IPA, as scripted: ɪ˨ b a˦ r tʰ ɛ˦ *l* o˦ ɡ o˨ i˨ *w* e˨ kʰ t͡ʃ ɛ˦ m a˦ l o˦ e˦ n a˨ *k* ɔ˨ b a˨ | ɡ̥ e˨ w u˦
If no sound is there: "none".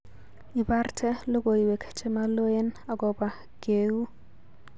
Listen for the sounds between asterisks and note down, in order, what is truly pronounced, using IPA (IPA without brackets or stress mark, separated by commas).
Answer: l, w, ɡ